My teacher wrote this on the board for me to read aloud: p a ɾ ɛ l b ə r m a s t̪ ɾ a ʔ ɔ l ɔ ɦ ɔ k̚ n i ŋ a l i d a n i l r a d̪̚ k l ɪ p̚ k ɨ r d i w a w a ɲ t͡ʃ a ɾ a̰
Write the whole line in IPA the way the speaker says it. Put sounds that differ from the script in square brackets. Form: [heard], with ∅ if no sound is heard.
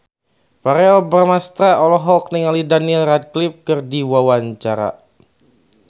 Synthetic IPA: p a ɾ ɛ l b ə r m a s t̪ ɾ a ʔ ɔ l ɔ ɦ ɔ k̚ n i ŋ a l i d a n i l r a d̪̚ k l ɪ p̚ k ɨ r d i w a w a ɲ t͡ʃ a ɾ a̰